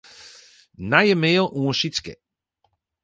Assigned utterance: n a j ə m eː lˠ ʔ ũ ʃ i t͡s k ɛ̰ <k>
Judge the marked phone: incorrect: none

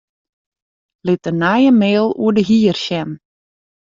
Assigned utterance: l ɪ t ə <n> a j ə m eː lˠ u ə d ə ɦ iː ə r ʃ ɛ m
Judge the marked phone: correct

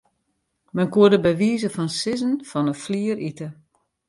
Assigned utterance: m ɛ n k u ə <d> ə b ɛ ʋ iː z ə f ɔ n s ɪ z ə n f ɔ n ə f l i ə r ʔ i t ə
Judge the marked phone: correct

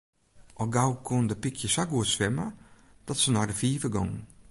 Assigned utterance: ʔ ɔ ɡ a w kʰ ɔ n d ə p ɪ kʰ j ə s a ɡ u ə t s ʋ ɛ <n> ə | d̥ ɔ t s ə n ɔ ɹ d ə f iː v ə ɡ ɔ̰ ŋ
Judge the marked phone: incorrect: m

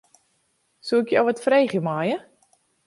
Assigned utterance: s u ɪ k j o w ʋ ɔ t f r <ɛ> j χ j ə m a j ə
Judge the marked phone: incorrect: e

